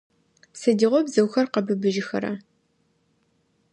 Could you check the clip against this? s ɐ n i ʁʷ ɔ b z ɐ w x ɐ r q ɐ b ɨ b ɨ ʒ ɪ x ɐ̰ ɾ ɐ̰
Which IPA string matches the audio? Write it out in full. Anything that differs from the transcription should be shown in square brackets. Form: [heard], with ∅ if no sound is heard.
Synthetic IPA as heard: s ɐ [d] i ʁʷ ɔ b z ɐ w x ɐ r q ɐ b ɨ b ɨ ʒ ɪ x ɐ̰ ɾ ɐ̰